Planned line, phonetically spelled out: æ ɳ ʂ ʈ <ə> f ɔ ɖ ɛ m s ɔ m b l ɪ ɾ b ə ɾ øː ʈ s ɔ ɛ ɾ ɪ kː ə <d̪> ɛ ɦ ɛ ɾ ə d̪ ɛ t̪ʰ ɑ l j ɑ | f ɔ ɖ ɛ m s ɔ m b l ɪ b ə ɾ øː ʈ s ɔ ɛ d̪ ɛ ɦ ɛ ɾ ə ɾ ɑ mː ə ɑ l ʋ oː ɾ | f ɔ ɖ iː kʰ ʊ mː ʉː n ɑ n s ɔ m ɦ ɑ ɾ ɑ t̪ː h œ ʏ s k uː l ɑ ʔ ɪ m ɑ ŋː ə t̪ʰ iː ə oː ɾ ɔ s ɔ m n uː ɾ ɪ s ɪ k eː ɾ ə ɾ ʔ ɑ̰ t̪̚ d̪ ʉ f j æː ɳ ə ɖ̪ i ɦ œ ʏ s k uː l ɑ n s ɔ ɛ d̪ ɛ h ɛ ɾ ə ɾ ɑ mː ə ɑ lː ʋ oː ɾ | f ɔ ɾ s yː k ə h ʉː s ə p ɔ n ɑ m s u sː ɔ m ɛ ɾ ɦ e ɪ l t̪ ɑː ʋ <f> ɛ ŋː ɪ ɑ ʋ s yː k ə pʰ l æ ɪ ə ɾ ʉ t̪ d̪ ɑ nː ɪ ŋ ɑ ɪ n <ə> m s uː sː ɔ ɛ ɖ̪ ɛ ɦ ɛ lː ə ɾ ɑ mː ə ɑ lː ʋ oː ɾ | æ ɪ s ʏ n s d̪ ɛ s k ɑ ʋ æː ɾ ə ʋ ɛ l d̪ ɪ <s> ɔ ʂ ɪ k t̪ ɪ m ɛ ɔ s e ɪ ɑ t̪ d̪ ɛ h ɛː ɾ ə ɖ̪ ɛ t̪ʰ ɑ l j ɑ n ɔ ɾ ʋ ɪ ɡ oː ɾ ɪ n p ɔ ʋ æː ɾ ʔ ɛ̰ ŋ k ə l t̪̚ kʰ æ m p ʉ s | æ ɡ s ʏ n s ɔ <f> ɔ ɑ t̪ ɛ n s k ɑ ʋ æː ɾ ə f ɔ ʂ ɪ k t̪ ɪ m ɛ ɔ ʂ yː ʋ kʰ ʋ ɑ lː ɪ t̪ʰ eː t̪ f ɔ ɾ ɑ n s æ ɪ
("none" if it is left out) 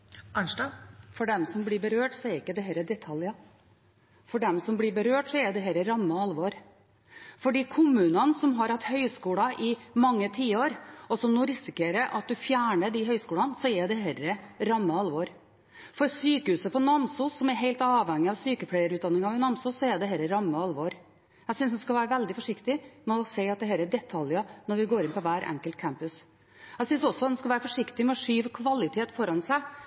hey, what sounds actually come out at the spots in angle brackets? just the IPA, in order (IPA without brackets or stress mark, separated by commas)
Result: ɑ, d̪, h, ɑ, f, s